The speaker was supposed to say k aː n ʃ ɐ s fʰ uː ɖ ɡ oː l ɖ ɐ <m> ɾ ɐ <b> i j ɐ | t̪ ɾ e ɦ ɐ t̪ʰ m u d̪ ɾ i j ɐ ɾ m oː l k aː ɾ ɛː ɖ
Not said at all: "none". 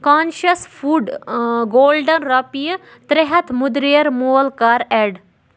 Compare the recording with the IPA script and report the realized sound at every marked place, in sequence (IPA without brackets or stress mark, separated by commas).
n, p